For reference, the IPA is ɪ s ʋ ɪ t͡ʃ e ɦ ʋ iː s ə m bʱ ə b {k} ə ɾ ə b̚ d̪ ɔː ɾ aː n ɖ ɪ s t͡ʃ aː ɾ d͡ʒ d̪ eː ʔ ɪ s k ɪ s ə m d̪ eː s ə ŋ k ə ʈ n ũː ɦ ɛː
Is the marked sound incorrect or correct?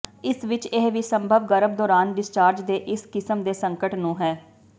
incorrect